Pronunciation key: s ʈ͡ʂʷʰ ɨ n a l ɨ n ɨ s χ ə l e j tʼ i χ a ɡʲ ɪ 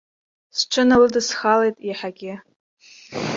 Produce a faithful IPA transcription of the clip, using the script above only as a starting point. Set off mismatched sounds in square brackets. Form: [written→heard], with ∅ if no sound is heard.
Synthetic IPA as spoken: s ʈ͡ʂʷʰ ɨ n a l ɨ [n→d] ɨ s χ [ə→a] l e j tʼ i [χ→ħ] a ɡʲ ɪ